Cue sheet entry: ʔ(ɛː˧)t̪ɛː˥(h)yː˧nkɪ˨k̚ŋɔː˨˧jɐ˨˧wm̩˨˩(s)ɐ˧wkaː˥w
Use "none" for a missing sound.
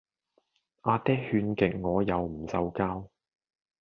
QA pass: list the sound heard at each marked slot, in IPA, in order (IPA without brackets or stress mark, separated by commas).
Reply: aː˧, h, s